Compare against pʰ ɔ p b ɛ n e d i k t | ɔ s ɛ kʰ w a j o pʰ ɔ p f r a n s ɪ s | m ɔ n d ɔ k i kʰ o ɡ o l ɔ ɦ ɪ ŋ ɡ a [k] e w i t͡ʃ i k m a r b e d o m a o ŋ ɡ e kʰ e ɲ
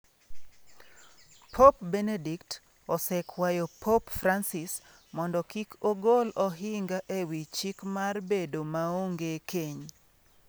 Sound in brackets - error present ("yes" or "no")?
yes